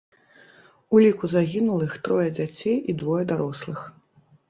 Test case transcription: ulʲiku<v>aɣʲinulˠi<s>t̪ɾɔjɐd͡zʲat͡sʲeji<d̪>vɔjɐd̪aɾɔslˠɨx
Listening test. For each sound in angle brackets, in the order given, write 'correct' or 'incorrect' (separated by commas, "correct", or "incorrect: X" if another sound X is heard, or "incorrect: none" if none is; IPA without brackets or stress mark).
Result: incorrect: z, incorrect: x, correct